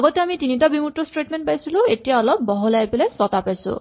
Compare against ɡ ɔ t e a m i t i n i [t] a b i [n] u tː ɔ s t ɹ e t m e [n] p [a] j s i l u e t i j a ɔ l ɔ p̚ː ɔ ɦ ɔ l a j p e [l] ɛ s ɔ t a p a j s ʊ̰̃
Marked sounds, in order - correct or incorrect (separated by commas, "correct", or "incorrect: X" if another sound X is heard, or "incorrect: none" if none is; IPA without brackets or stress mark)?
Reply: correct, incorrect: m, correct, correct, correct